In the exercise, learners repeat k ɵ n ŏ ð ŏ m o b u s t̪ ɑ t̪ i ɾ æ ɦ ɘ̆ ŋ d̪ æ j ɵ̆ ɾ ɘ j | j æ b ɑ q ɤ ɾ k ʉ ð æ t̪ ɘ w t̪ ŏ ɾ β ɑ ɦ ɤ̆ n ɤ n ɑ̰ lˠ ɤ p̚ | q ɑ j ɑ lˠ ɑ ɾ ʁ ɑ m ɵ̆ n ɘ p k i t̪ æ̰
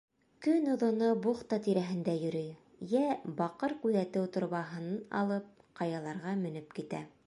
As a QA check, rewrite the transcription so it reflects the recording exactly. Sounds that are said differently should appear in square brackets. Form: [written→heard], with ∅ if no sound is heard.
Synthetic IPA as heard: k ɵ n ŏ ð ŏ [m→n] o b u [s→χ] t̪ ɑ t̪ i ɾ æ ɦ ɘ̆ [ŋ→n] d̪ æ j ɵ̆ ɾ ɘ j | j æ b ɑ q ɤ ɾ k ʉ ð æ t̪ ɘ w t̪ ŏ ɾ β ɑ ɦ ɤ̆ n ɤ n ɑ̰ lˠ ɤ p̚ | q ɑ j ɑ lˠ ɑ ɾ ʁ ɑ m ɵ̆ n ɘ p k i t̪ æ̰